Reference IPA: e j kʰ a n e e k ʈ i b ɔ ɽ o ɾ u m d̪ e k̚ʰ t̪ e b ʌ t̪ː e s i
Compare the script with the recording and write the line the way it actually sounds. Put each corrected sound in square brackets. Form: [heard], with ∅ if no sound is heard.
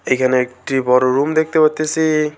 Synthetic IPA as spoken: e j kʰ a n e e k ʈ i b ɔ [ɾ] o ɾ u m d̪ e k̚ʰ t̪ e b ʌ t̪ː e s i